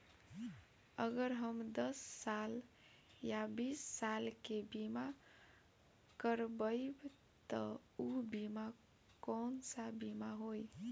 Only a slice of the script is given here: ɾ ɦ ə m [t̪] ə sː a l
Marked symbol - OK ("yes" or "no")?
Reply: no